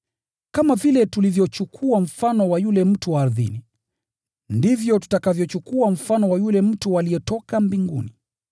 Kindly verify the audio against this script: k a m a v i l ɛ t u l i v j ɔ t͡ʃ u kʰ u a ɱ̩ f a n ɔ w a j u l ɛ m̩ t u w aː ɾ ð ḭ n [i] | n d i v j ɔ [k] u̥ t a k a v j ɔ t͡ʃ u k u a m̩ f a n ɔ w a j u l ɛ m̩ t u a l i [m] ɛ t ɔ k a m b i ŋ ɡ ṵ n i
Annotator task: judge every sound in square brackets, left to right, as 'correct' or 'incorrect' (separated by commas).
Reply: correct, incorrect, incorrect